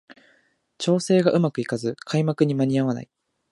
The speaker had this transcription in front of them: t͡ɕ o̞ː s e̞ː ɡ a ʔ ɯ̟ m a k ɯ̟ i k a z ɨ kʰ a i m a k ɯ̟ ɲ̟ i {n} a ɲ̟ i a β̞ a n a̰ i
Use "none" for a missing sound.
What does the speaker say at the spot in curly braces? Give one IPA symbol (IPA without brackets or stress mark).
m